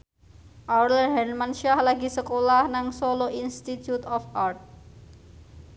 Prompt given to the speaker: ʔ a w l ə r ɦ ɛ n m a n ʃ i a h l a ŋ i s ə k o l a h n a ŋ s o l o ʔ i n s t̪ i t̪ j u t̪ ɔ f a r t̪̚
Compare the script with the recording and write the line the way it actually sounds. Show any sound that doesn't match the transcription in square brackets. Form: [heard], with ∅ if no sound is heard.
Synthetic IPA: ʔ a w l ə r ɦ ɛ n m a n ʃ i a h l a [ɡ] i s ə k o l a h n a ŋ s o l o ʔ i n s t̪ i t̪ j u t̪ ɔ f a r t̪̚

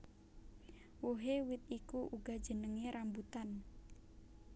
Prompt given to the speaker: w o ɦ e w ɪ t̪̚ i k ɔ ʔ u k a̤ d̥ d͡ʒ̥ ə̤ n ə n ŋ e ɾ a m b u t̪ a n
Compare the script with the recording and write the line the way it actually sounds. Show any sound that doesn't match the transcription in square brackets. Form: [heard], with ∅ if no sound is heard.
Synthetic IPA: w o ɦ e w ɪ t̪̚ i k [u] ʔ u [ɡ] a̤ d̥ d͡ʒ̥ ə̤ n ə [∅] ŋ e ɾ a m b u t̪ a n

